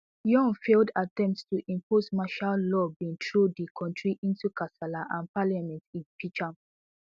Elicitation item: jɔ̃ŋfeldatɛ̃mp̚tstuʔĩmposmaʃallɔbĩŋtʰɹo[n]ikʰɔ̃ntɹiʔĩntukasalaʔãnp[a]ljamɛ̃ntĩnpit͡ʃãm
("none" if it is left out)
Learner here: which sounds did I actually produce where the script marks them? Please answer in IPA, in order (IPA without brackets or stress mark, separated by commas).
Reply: d, a